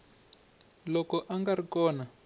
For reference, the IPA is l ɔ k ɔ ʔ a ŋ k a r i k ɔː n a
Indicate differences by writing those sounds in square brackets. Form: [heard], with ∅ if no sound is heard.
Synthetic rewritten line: l ɔ k ɔ ʔ a ŋ [ɡ] a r i k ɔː n a